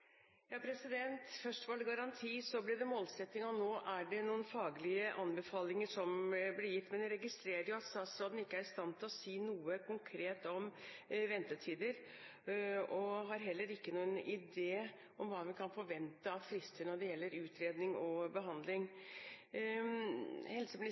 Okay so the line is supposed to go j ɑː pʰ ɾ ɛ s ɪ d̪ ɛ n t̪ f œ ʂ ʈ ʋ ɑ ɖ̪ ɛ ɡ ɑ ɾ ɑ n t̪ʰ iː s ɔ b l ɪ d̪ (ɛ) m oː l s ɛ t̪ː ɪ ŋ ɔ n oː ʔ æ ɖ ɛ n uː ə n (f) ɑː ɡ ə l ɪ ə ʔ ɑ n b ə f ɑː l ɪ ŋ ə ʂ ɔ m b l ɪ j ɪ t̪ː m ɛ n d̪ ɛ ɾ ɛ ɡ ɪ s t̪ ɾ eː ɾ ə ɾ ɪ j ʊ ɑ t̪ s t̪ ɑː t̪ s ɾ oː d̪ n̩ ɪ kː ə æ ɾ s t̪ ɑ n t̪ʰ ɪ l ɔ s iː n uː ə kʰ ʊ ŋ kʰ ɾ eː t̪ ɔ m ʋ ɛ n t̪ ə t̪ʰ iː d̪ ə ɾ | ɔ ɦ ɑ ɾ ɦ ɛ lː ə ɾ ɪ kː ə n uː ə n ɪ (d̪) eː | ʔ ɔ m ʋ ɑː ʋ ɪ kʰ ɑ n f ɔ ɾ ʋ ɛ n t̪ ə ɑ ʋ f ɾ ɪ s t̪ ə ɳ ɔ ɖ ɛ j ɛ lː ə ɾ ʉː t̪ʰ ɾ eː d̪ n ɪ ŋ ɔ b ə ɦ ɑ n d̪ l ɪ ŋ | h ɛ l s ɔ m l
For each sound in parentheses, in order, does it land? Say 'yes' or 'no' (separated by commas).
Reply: yes, yes, yes